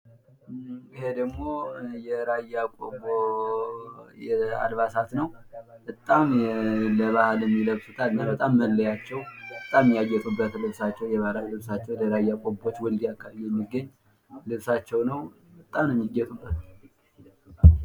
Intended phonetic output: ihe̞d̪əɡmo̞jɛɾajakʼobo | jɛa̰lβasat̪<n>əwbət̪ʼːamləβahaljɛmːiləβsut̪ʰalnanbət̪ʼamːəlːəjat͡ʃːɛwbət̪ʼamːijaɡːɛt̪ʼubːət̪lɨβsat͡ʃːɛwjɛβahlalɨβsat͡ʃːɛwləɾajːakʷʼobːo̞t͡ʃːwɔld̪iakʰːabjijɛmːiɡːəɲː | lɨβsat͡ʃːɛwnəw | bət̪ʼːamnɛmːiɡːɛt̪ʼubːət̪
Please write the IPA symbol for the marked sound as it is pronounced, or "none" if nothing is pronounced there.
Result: n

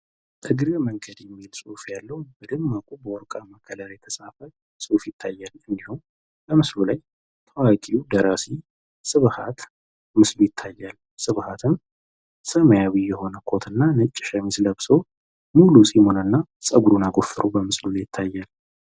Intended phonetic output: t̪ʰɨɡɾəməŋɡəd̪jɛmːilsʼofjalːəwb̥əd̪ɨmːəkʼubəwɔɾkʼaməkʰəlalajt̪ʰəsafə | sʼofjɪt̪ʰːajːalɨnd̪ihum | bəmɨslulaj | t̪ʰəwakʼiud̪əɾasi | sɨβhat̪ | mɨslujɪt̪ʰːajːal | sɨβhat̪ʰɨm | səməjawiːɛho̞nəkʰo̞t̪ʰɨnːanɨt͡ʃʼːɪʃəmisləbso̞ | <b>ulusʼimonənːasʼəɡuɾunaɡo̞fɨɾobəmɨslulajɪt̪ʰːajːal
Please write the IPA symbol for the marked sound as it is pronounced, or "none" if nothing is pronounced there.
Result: m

